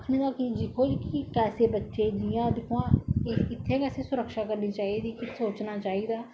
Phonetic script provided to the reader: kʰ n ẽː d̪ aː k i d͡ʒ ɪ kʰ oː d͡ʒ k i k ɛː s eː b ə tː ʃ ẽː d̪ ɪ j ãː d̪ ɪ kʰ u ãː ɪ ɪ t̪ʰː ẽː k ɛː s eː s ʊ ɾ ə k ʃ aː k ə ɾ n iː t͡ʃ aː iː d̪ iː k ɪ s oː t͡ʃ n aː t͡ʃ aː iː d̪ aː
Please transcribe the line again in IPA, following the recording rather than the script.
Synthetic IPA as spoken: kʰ n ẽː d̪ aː k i d͡ʒ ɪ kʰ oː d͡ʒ k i k ɛː s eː b ə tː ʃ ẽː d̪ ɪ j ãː d̪ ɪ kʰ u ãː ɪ ɪ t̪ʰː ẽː k ɛː s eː s ʊ ɾ ə k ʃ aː k ə ɾ n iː t͡ʃ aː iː d̪ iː k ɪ s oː t͡ʃ n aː t͡ʃ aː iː d̪ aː